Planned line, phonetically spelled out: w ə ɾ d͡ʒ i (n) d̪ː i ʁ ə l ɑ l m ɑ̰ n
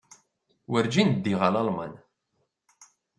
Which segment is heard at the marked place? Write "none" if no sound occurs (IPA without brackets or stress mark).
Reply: n